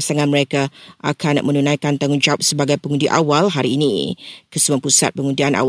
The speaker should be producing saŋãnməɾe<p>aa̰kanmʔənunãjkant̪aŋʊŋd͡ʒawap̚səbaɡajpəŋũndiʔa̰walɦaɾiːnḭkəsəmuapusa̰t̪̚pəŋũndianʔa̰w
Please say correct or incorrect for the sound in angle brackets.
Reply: incorrect